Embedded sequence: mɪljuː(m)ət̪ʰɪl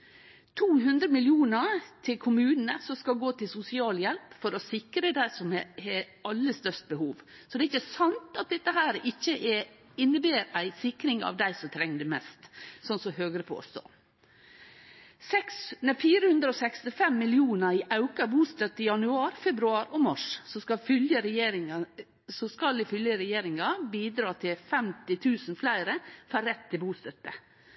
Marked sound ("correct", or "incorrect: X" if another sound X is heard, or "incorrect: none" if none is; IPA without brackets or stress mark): incorrect: n